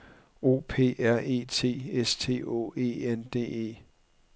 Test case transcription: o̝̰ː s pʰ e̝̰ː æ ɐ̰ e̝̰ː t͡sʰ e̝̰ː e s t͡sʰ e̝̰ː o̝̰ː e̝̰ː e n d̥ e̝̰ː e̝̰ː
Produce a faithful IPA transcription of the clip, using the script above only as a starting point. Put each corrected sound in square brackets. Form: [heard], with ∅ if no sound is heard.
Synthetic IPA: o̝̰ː [∅] pʰ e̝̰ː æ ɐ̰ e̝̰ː t͡sʰ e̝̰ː e s t͡sʰ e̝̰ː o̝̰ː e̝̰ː e n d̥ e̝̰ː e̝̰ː